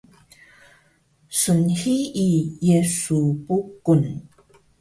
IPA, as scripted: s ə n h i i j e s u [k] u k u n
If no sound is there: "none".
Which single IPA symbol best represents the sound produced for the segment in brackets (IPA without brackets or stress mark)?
p